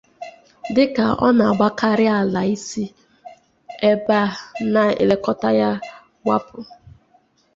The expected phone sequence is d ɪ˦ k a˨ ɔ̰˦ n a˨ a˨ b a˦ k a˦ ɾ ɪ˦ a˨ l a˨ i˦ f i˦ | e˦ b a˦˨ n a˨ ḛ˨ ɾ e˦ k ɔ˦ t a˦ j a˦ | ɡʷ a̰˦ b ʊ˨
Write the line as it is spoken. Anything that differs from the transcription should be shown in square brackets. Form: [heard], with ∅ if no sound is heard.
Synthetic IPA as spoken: d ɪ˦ k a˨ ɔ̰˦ n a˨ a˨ [ɡ͡b] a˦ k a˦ ɾ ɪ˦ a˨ l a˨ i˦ [s] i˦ | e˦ b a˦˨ n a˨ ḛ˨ [l] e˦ k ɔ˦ t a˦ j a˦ | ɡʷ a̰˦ [p] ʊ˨